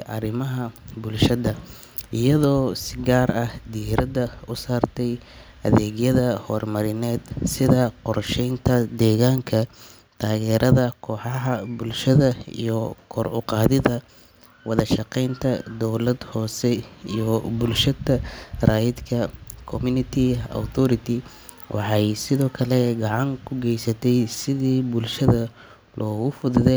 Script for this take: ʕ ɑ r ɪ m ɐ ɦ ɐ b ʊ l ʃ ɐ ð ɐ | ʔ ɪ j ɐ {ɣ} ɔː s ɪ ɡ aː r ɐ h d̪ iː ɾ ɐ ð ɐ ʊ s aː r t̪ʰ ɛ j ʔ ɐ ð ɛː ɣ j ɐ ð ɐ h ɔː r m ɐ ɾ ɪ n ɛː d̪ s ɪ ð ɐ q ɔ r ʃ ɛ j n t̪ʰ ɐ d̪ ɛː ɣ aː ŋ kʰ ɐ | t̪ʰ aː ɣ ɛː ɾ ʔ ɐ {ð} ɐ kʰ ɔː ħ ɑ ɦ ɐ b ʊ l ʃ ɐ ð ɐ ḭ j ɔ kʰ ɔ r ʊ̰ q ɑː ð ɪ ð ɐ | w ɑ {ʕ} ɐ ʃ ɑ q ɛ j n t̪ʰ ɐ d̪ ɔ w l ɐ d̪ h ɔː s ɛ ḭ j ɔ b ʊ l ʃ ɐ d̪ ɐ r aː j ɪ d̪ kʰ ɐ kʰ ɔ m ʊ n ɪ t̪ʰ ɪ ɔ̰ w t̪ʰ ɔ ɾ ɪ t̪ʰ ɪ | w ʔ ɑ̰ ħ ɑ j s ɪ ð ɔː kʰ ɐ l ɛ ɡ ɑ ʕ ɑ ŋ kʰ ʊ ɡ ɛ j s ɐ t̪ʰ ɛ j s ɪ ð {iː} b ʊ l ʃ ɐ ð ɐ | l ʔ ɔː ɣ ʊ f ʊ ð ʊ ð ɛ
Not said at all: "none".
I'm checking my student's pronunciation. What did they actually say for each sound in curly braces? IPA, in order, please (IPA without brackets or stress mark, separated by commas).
ð, ð, ð, iː